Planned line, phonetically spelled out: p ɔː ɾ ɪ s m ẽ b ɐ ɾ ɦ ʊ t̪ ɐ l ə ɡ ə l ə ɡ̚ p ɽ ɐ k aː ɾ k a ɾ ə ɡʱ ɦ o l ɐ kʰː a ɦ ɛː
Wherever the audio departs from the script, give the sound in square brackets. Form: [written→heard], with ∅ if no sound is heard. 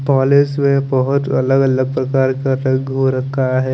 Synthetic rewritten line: p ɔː [ɾ→l] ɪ s m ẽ b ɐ [ɾ→∅] ɦ ʊ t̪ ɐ l ə ɡ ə l ə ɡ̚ p [ɽ→ɾ] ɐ k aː ɾ k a ɾ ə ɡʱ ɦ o [l→ɾ] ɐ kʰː a ɦ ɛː

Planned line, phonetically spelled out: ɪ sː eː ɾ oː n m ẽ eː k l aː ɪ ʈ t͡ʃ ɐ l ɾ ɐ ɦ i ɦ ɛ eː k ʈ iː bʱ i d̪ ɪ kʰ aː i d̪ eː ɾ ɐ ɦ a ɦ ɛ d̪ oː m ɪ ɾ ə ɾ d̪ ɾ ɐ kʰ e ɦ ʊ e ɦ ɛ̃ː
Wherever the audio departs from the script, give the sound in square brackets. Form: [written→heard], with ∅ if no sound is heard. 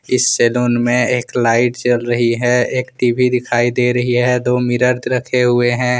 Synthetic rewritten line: ɪ sː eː [ɾ→l] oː n m ẽ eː k l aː ɪ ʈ t͡ʃ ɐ l ɾ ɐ ɦ i ɦ ɛ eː k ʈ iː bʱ i d̪ ɪ kʰ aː i d̪ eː ɾ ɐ ɦ [a→i] ɦ ɛ d̪ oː m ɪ ɾ ə ɾ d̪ ɾ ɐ kʰ e ɦ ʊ e ɦ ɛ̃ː

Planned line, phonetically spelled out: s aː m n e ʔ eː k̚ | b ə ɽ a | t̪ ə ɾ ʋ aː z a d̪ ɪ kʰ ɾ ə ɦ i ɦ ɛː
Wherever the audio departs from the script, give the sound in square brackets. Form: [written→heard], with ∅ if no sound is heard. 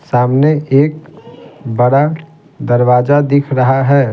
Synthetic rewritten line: s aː m n e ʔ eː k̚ | b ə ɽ a | [t̪→d̪] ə ɾ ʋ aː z a d̪ ɪ kʰ ɾ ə ɦ [i→a] ɦ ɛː

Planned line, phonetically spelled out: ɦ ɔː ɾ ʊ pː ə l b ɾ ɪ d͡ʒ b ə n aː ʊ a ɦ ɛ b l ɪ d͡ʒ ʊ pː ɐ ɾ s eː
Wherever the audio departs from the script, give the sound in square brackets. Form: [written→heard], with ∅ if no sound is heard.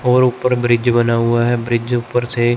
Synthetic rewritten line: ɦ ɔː ɾ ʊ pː ə [l→ɾ] b ɾ ɪ d͡ʒ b ə n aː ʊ a ɦ ɛ b [l→ɾ] ɪ d͡ʒ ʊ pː [ɐ→ə] ɾ s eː

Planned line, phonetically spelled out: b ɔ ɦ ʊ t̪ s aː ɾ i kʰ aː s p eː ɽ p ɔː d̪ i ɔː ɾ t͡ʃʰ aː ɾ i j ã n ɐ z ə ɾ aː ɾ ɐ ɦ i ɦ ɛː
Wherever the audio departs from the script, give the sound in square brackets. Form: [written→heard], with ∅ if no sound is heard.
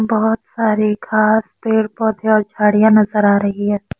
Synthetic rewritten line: b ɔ ɦ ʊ t̪ s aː ɾ i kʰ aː s p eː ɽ p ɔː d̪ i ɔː ɾ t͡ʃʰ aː [ɾ→ɽ] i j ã n ɐ z ə ɾ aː ɾ ɐ ɦ i ɦ ɛː

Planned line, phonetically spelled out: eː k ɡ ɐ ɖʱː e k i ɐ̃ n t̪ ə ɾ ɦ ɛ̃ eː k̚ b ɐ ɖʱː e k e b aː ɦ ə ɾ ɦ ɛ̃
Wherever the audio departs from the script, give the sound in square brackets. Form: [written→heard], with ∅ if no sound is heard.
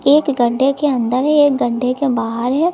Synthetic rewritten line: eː k ɡ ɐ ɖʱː e k [i→e] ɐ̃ n [t̪→d̪] ə ɾ ɦ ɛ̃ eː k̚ [b→ɡ] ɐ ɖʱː e k e b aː ɦ ə ɾ ɦ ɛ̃

